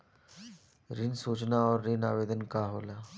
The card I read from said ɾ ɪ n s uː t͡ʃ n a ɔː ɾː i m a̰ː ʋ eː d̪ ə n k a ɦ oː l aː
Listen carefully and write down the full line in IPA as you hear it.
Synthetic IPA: ɾ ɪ n s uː t͡ʃ n a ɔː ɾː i n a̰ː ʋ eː d̪ ə n k a ɦ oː l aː